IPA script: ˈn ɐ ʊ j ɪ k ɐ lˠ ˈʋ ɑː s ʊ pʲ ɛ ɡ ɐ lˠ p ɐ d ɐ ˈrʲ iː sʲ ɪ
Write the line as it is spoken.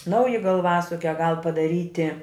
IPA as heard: ˈn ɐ ʊ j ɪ ɡ ɐ lˠ ˈʋ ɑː s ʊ kʲ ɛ ɡ ɐ lˠ p ɐ d ɐ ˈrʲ iː tʲ ɪ